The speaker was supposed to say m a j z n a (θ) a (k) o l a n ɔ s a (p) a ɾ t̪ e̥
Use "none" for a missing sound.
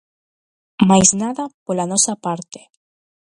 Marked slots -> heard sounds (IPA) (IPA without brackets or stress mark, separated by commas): ð, p, p